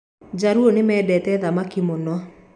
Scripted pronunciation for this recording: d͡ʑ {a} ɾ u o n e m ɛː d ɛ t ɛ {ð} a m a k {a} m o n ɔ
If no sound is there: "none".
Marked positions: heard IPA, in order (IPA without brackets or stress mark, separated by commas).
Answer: a, ð, i